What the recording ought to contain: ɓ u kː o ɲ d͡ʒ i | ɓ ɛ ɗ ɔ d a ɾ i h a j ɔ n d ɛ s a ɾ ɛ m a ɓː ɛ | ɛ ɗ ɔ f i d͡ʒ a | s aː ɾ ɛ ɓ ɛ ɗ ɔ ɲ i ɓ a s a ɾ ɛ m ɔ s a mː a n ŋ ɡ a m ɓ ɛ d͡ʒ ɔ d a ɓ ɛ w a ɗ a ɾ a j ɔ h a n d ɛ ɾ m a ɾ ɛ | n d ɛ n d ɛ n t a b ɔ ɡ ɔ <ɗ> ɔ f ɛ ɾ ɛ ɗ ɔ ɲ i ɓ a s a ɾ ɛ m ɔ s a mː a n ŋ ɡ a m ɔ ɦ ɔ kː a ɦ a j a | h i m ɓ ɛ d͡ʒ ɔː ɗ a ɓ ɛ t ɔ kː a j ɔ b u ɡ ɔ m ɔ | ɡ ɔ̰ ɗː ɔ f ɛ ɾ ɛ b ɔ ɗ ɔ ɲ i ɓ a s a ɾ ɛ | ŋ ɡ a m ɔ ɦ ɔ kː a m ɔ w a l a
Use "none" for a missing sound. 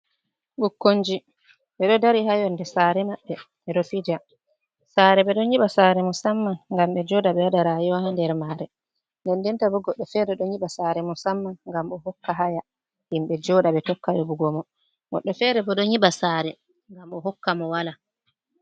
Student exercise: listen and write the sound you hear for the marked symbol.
ɗː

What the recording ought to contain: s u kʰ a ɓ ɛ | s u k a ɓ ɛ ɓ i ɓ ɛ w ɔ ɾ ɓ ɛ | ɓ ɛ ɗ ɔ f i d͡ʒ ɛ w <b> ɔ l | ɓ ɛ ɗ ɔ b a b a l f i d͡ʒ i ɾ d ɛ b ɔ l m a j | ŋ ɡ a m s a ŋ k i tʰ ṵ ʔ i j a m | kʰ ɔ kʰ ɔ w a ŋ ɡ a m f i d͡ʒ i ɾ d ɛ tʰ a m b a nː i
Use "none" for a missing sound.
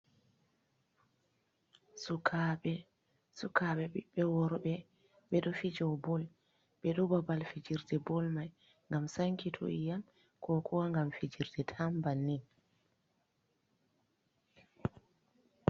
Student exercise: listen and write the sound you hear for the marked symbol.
b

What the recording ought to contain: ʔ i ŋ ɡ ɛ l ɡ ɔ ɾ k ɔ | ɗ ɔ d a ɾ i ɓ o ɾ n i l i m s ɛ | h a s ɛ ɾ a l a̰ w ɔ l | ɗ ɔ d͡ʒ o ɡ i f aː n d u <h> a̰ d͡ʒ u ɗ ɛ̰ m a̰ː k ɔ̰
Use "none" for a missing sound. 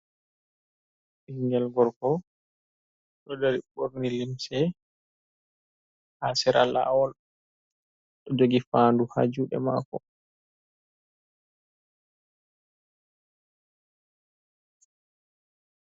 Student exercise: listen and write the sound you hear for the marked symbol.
h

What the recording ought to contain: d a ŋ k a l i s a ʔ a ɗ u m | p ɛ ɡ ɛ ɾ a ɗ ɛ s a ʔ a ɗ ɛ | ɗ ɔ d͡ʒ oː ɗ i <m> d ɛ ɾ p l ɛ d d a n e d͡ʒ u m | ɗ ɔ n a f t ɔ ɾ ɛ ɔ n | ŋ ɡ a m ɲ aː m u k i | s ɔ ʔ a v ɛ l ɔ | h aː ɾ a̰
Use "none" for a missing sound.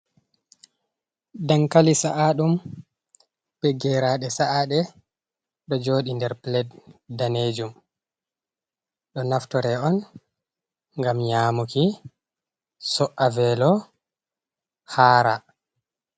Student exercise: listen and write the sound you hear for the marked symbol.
n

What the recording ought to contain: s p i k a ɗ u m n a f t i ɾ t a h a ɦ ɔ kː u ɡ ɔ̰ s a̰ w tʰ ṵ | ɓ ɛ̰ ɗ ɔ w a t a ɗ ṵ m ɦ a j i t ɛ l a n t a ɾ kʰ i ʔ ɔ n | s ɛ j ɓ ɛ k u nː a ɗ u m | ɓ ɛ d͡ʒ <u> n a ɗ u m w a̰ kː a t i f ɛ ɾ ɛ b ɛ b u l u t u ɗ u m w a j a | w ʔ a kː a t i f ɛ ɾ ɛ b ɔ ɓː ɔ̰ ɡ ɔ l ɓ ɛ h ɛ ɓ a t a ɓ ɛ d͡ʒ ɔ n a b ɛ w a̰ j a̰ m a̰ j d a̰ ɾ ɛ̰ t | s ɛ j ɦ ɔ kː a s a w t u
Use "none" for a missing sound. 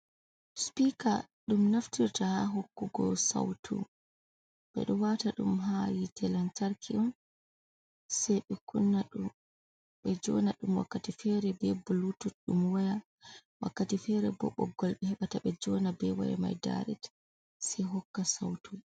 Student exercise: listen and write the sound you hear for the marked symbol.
ɔ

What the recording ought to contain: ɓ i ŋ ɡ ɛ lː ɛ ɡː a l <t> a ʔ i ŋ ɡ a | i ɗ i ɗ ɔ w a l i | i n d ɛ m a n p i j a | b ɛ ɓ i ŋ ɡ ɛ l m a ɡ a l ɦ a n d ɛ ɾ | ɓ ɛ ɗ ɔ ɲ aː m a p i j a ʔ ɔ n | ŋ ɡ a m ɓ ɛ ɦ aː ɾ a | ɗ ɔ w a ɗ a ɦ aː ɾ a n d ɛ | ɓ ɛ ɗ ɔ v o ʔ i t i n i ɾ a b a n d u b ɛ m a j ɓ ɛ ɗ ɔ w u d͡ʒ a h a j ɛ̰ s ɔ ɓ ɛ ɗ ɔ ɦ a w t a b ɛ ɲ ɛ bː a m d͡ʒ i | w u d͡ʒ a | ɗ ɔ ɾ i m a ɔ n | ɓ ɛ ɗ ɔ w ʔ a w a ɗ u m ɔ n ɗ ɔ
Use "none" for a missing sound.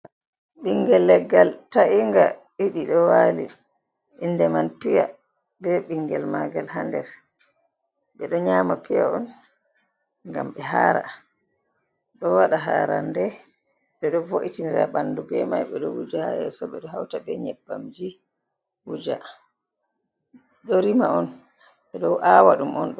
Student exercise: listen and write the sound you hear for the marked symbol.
t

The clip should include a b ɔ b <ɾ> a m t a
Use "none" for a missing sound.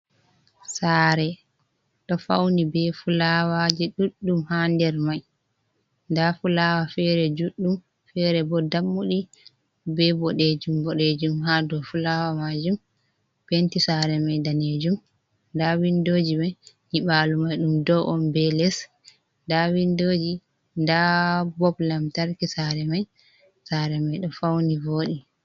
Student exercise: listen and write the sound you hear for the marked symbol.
l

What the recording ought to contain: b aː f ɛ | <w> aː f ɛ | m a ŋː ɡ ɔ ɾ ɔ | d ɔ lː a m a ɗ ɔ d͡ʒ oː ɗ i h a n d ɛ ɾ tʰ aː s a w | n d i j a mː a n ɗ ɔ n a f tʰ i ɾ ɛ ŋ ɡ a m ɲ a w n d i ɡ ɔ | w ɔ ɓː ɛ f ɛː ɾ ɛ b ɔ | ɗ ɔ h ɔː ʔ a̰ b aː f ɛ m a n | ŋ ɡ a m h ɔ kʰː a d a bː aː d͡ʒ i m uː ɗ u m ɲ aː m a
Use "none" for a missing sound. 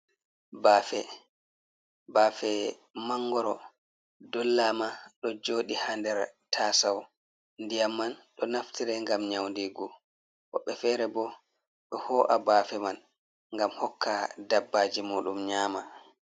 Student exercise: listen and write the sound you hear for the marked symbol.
b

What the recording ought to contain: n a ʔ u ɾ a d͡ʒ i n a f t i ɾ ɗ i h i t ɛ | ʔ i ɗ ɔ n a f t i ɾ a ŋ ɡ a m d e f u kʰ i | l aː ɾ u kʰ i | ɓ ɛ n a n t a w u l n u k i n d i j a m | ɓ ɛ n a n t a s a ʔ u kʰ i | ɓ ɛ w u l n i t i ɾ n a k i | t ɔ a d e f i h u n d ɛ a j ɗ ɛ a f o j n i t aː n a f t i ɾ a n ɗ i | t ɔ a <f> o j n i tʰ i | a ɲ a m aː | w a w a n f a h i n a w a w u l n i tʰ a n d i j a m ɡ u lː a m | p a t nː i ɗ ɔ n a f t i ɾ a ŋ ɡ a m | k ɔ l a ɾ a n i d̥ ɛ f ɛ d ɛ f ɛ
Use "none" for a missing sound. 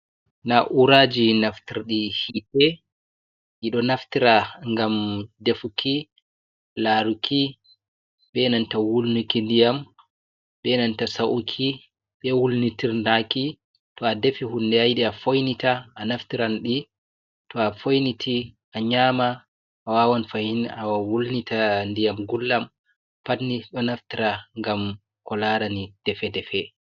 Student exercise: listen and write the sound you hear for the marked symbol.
f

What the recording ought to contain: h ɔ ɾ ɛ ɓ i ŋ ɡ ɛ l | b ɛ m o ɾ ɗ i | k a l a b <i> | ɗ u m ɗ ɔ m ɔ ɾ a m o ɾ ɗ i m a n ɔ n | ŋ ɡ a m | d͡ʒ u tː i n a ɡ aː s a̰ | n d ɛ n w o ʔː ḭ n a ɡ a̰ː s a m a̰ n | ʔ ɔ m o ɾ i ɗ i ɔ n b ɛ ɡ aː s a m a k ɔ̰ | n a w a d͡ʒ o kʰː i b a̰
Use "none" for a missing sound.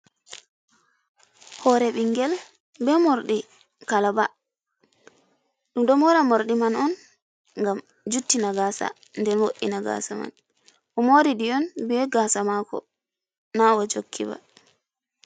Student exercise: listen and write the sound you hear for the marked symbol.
a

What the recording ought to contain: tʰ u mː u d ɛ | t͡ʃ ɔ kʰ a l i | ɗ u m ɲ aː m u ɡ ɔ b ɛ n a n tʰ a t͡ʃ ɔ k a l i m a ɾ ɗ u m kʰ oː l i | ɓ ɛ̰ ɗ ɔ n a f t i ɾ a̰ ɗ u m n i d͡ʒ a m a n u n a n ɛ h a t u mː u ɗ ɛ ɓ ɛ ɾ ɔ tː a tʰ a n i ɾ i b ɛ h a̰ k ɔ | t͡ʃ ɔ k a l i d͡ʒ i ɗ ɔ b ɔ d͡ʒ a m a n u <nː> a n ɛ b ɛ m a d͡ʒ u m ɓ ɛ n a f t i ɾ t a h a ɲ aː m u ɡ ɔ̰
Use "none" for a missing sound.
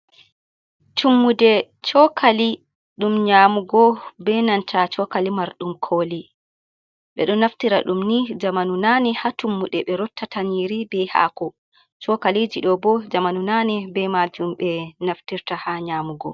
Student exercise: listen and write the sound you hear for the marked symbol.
n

